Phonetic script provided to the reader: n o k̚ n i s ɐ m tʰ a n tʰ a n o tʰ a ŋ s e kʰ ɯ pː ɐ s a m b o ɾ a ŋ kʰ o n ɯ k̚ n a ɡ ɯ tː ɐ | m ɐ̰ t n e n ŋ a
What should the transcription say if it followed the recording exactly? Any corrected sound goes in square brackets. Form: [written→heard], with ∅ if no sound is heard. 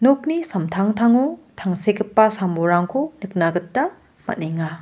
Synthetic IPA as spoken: n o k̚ n i s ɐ m tʰ a [n→ŋ] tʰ a [n→ŋ] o tʰ a ŋ s e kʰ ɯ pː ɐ s a m b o ɾ a ŋ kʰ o n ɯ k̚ n a ɡ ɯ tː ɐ | m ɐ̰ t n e [n→∅] ŋ a